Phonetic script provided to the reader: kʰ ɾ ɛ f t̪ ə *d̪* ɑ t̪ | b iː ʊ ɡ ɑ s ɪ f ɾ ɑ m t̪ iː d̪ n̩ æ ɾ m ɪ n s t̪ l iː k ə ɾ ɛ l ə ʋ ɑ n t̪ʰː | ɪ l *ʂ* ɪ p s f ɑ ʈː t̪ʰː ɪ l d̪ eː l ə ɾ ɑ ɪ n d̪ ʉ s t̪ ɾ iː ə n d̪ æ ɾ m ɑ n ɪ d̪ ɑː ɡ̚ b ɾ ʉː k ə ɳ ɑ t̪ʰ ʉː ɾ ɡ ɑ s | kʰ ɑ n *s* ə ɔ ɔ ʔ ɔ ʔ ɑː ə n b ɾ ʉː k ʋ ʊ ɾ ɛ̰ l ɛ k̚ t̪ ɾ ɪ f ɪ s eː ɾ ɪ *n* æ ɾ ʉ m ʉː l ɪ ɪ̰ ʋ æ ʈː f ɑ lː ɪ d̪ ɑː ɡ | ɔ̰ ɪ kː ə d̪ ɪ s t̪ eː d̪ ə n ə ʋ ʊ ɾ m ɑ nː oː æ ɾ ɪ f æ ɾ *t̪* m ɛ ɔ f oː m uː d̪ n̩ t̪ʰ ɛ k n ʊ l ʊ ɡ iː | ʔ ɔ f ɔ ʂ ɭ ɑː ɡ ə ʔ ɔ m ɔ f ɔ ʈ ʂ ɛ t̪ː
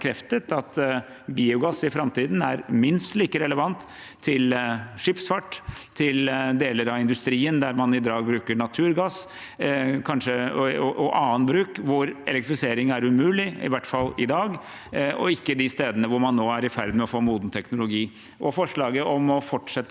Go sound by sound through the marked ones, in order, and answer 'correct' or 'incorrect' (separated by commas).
incorrect, correct, incorrect, incorrect, incorrect